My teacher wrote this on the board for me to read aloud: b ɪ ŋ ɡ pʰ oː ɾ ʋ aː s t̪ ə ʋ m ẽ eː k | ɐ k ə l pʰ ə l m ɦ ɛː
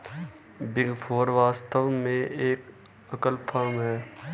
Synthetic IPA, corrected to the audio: b ɪ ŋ ɡ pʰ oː ɾ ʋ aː s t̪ ə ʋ m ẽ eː k | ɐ k ə l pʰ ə ɾ m ɦ ɛː